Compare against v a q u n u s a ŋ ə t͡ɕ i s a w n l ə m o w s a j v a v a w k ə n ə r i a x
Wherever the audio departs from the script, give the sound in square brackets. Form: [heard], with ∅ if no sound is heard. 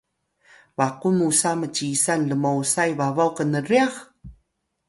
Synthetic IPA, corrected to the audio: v a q u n u s a [m] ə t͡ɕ i s a [∅] n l ə m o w s a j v a v a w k ə n ə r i a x